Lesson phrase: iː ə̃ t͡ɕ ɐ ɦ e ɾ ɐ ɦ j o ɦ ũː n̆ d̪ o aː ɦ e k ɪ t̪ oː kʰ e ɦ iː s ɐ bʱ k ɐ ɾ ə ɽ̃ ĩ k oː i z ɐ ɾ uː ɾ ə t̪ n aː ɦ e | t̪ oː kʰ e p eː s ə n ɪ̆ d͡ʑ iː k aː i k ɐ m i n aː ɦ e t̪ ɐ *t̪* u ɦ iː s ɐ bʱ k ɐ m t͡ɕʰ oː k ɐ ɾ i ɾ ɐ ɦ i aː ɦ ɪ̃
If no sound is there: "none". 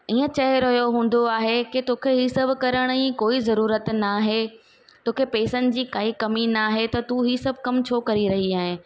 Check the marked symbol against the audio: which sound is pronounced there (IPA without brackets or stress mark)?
t̪